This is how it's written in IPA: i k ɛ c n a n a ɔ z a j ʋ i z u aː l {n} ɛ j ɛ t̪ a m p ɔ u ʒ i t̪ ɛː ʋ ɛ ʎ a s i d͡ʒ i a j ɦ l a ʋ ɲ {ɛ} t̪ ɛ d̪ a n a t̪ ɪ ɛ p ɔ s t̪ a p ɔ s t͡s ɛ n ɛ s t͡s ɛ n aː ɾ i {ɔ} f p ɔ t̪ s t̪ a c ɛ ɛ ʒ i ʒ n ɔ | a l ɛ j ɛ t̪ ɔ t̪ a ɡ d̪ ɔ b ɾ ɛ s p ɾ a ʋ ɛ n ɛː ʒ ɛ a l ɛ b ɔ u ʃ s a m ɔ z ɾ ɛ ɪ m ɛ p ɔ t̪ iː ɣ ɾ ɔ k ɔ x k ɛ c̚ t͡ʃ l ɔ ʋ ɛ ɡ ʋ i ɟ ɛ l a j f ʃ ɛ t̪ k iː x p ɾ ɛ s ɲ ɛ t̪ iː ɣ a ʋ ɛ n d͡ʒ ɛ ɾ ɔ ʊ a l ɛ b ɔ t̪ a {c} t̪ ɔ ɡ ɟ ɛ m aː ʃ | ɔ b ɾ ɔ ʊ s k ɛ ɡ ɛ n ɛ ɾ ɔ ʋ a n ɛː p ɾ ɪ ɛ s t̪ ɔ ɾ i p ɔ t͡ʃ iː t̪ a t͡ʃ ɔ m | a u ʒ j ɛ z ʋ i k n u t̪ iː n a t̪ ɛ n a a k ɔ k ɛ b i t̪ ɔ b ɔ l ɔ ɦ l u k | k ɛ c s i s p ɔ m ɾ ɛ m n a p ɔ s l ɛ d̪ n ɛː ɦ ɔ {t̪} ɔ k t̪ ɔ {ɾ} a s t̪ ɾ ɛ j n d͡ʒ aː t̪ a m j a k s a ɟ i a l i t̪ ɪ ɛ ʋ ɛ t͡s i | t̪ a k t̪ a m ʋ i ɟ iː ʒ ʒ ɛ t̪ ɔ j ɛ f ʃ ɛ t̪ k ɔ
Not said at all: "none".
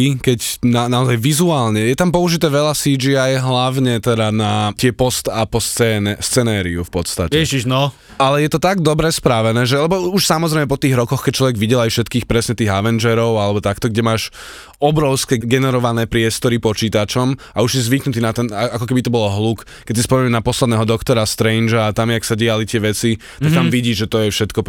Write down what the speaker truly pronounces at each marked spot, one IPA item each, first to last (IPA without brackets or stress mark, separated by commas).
ɲ, ɛ, u, k, d̪, ɾ